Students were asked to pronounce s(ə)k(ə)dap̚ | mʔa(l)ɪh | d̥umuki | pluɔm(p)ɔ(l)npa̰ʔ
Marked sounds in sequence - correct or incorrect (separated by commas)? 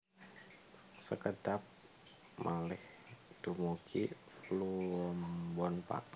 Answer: correct, correct, correct, incorrect, incorrect